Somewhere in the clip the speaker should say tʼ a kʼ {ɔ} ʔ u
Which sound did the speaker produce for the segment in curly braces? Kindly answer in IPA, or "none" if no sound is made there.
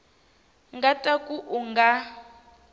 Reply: u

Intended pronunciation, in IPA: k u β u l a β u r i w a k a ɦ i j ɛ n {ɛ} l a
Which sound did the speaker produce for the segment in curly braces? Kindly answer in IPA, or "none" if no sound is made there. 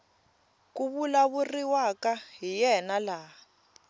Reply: a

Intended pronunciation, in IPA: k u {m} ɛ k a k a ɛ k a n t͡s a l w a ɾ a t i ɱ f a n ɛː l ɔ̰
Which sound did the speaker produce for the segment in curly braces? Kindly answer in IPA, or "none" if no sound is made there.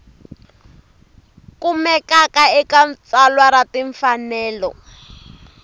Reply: m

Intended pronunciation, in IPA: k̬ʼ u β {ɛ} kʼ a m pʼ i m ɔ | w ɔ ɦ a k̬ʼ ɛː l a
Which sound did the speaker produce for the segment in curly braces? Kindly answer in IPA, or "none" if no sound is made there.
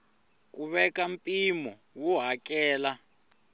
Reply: ɛ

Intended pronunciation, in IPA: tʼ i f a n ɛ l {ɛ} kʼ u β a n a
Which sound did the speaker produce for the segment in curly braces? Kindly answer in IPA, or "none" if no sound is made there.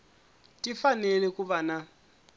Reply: ɛ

